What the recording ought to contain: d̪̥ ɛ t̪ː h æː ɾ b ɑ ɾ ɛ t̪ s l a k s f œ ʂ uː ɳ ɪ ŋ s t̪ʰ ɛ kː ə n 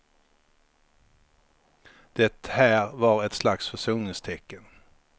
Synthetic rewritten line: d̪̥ ɛ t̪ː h æː ɾ v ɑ ɾ ɛ t̪ s l a k s f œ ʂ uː n ɪ ŋ s t̪ʰ ɛ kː ə n